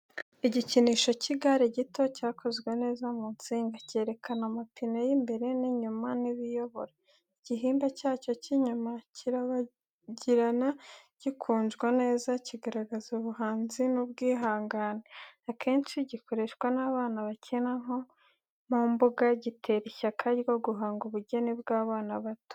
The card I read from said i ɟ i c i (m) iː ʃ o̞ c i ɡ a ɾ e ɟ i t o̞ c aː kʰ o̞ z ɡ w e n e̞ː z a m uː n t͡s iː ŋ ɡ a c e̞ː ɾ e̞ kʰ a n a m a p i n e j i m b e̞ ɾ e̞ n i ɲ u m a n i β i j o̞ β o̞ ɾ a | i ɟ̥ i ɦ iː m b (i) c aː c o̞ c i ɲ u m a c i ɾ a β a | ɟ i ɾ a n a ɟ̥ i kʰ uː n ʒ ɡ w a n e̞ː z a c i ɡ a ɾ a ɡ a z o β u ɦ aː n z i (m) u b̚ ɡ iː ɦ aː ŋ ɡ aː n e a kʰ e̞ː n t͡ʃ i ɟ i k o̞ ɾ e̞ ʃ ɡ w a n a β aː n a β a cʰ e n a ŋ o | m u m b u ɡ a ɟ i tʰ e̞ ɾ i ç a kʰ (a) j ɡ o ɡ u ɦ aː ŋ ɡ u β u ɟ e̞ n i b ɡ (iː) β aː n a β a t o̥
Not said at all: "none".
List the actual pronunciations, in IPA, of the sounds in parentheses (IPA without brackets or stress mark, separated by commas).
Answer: n, a, n, a, aː